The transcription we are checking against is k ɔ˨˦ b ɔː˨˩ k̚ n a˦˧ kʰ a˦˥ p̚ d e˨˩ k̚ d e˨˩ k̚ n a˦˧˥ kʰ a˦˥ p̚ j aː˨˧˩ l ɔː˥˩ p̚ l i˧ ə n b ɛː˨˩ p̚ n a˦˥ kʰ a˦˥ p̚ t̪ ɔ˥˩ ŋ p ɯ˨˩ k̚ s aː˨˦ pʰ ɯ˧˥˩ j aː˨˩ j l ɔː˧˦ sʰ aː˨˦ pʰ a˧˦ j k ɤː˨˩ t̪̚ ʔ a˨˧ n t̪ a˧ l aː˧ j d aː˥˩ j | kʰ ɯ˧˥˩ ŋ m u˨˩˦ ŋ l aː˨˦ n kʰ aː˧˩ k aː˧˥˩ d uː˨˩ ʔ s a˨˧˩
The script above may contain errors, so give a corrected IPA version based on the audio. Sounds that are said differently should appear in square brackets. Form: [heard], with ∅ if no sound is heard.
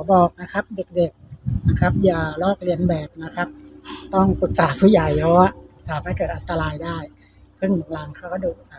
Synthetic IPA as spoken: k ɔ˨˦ b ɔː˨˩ k̚ n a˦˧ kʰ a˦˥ p̚ d e˨˩ k̚ d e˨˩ k̚ n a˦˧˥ kʰ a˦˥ p̚ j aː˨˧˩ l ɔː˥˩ [k̚] l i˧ ə n b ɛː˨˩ p̚ n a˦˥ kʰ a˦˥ p̚ t̪ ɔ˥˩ ŋ p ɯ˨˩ k̚ s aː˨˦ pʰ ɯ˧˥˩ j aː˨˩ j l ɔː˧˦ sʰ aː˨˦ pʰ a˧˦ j k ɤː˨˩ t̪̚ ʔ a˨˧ n t̪ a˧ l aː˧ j d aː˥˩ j | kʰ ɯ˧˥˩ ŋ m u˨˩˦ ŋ l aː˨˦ [ŋ] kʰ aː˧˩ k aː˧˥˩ d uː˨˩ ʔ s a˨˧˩